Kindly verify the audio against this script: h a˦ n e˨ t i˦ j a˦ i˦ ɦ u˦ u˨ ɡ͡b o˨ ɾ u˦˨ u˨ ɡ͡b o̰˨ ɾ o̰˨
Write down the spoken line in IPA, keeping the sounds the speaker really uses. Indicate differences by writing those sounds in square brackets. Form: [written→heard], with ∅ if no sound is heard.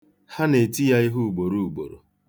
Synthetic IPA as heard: h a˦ n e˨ t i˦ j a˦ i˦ ɦ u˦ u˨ ɡ͡b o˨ ɾ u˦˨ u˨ ɡ͡b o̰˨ ɾ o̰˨